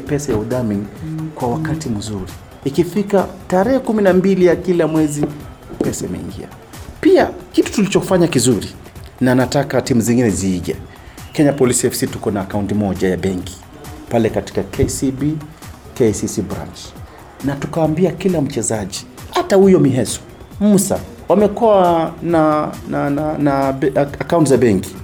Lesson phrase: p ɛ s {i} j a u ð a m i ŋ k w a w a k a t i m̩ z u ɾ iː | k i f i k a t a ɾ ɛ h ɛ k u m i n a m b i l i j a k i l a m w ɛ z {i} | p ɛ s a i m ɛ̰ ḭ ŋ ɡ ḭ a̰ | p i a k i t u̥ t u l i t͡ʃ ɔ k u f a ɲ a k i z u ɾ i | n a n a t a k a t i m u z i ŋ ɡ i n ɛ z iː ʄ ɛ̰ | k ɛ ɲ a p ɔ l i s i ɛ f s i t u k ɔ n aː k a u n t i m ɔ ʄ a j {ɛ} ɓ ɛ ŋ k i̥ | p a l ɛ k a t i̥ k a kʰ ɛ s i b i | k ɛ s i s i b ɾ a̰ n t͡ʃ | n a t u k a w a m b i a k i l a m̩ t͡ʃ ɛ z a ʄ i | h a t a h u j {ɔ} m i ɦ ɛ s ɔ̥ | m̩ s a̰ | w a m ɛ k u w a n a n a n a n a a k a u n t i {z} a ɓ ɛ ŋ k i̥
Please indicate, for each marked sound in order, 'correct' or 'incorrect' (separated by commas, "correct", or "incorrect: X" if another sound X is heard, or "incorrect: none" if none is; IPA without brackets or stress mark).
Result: incorrect: a, correct, incorrect: a, correct, correct